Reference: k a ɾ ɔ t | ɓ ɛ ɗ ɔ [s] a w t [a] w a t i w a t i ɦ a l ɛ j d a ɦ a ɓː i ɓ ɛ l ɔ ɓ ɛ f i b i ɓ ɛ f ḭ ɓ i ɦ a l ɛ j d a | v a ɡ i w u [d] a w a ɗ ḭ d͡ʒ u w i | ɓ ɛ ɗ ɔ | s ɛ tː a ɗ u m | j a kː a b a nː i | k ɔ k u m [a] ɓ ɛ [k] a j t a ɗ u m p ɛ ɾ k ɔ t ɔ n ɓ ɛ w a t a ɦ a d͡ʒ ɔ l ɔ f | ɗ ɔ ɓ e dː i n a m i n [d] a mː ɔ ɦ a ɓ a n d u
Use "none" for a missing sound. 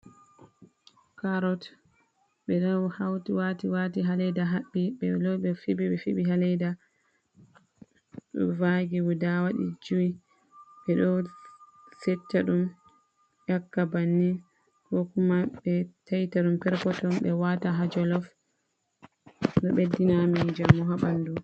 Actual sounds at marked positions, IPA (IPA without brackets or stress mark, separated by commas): h, i, d, a, t, d͡ʒ